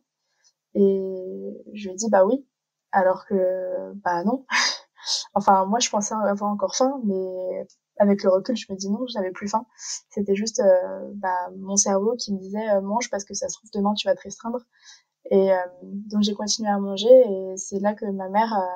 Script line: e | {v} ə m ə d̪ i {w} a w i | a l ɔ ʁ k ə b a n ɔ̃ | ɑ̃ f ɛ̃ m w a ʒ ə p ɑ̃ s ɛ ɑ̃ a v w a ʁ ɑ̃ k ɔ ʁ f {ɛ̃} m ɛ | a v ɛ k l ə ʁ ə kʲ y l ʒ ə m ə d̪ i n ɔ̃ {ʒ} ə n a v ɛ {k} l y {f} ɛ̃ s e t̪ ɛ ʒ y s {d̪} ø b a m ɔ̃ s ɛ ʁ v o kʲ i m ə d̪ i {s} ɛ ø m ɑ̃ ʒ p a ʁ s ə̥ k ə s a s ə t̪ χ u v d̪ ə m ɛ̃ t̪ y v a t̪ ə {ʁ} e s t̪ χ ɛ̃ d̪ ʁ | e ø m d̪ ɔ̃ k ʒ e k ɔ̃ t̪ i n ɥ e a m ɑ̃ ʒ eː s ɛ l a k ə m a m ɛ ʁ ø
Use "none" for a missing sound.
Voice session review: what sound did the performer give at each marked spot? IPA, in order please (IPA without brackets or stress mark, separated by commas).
ʒ, b, ɛ̃, ʒ, p, f, t̪, z, ʁ